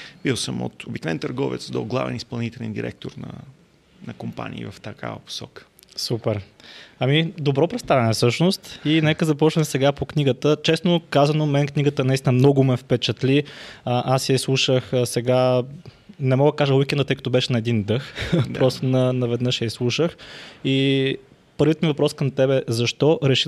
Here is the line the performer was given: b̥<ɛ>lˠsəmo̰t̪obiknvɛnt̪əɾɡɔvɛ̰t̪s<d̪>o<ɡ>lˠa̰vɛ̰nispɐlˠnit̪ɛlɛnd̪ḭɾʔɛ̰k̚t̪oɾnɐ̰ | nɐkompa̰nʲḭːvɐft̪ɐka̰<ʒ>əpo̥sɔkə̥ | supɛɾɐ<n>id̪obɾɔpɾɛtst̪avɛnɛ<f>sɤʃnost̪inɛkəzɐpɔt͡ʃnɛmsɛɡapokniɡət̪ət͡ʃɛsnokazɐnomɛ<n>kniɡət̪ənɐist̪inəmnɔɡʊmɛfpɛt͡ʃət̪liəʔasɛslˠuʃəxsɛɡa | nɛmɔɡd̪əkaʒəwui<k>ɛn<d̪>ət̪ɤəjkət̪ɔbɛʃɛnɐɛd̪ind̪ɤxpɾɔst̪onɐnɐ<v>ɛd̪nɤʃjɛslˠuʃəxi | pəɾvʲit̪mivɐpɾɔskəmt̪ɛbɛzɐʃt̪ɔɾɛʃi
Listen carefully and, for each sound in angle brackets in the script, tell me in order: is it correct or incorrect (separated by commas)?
incorrect, correct, correct, incorrect, incorrect, correct, correct, correct, correct, correct